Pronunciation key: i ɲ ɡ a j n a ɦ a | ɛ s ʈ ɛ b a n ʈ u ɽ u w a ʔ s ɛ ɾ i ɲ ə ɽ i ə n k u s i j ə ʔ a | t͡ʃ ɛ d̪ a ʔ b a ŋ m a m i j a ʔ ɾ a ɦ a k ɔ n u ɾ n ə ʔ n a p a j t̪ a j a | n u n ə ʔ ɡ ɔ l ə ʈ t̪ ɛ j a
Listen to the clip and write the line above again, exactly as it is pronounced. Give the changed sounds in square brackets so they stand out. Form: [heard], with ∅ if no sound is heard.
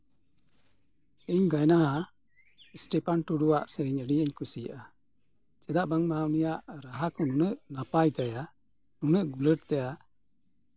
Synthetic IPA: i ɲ ɡ a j n a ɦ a | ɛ s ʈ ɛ [p] a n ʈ u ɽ u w a ʔ s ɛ ɾ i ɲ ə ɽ i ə [ɲ] k u s i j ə ʔ a | t͡ʃ ɛ d̪ a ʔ b a ŋ m a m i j a ʔ ɾ a ɦ a k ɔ n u [∅] n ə ʔ n a p a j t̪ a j a | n u n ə ʔ ɡ [u] l ə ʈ t̪ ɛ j a